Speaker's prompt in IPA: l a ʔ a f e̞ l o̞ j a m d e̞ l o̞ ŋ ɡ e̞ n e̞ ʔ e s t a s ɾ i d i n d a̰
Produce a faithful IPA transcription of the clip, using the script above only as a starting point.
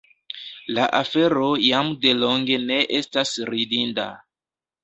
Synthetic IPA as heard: l a ʔ a f e̞ ɾ o̞ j a m d e̞ l o̞ ŋ ɡ e̞ n e̞ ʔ e s t a s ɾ i d i n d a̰